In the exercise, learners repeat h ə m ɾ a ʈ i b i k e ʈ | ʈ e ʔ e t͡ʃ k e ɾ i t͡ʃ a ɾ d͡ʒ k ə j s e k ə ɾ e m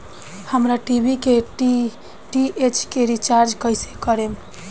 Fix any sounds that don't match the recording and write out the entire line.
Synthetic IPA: h ə m ɾ a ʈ i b i k e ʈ | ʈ i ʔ e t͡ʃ k e ɾ i t͡ʃ a ɾ d͡ʒ k ə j s e k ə ɾ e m

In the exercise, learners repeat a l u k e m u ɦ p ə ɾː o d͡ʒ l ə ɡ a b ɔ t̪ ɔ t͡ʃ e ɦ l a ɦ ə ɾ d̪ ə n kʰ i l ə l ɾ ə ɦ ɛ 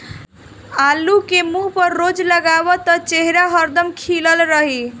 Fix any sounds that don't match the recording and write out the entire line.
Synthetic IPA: a l u k e m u ɦ p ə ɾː o d͡ʒ l ə ɡ a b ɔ t̪ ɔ t͡ʃ e ɦ ɾ a ɦ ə ɾ d̪ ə m kʰ i l ə l ɾ ə ɦ i

